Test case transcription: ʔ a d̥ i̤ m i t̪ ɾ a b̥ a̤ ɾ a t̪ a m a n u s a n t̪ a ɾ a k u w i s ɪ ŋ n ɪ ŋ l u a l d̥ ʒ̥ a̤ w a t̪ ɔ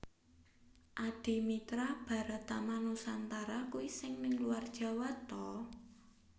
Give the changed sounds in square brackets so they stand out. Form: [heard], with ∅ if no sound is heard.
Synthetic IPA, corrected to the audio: ʔ a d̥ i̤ m i t̪ ɾ a b̥ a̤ ɾ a t̪ a m a n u s a n t̪ a ɾ a k u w i s ɪ ŋ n ɪ ŋ l u a [r] d̥ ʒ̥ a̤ w a t̪ ɔ